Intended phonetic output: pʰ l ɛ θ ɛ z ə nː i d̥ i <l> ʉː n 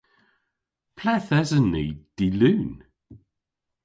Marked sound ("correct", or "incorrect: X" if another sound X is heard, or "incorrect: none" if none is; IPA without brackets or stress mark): correct